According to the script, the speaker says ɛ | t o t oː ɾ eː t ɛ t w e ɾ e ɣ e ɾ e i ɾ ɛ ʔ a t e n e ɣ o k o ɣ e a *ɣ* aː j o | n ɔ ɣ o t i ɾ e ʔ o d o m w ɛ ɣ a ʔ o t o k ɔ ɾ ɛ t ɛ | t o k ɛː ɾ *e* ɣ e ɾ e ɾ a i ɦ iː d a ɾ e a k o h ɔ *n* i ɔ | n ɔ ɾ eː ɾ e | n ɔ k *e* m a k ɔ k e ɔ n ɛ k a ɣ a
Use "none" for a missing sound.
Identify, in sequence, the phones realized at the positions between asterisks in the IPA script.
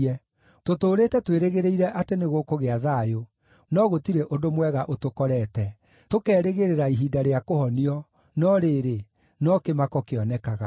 ð, e, n, e

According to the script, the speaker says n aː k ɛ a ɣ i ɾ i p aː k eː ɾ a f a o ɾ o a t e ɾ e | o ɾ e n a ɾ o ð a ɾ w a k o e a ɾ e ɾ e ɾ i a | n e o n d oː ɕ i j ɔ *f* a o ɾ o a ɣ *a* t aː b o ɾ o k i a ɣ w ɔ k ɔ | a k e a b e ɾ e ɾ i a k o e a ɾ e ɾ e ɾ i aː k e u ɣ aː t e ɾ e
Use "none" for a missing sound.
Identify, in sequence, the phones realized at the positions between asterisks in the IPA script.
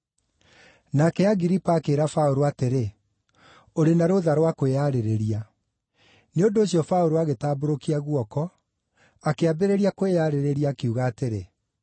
f, e

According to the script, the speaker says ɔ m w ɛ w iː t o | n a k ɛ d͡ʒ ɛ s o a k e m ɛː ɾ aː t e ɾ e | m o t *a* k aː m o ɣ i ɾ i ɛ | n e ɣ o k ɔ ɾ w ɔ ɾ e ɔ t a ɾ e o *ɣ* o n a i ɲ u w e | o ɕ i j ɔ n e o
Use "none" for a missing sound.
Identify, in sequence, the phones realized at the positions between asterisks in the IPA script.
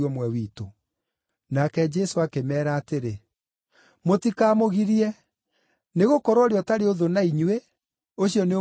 i, ð

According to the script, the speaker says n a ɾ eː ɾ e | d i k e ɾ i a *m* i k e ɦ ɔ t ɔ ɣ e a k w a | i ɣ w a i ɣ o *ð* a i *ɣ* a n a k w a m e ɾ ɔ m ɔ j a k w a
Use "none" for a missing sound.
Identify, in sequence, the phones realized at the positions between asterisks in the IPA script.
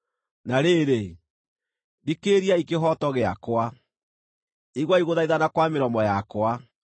none, ð, ð

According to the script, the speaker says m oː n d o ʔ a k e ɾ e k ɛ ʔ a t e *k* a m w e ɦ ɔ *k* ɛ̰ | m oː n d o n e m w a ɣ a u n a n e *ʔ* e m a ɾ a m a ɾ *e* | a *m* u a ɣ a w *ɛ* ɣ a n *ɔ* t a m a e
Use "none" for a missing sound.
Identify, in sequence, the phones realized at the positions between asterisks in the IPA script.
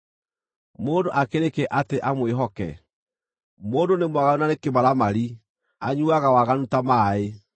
ʔ, k, k, i, ɲ, a, u

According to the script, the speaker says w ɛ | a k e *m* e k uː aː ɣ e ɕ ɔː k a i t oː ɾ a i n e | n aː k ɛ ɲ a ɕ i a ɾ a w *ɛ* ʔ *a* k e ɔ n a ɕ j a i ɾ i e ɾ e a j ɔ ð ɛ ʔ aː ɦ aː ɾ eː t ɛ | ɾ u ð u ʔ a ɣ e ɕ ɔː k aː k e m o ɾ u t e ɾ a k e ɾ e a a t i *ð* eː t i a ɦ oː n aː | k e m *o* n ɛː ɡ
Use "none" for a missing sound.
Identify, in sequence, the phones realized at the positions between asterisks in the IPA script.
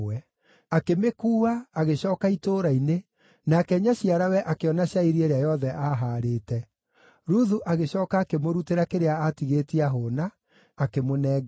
m, ɛ, a, ɣ, o

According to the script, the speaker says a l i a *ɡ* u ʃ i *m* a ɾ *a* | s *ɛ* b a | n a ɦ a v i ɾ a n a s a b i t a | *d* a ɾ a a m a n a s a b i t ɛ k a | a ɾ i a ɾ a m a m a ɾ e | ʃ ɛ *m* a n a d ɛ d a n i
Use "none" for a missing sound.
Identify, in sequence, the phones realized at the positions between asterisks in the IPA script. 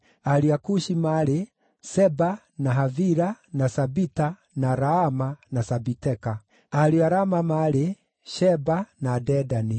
k, m, e, ɛ, n, b

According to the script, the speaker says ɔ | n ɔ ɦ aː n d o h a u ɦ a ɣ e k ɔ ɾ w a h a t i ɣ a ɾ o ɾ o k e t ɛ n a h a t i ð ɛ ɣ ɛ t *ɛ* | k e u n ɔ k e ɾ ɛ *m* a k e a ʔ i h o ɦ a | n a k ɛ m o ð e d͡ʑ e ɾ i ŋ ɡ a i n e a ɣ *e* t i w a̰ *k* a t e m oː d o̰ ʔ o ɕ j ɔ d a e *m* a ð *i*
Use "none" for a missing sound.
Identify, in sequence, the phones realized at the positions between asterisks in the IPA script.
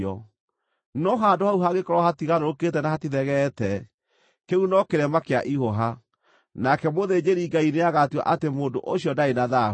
ɛ, m, a, ʔ, n, a

